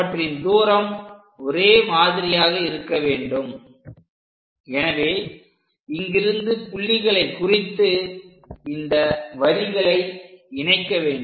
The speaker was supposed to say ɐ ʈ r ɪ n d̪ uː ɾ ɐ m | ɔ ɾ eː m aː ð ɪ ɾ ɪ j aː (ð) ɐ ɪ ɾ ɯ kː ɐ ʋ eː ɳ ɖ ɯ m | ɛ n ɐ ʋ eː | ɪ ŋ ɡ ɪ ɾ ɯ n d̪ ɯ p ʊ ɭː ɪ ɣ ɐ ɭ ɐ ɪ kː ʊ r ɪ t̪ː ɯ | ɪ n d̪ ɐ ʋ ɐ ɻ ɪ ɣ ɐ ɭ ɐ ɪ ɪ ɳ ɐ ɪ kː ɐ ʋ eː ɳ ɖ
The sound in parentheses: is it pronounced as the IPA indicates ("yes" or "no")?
no